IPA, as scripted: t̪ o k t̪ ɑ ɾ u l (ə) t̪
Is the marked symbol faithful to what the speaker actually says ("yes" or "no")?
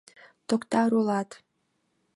no